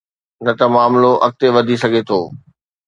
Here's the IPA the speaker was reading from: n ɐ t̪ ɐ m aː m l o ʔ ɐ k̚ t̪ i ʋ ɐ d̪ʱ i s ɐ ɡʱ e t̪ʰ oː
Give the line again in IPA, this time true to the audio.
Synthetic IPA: n ɐ t̪ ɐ m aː m l o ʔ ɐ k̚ t̪ e ʋ ɐ d̪ʱ i s ɐ ɡʱ e t̪ʰ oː